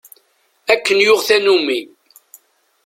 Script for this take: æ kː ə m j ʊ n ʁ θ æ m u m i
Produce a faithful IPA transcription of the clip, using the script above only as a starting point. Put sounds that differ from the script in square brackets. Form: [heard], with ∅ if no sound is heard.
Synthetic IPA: æ kː ə [n] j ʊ [∅] ʁ θ æ [n] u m i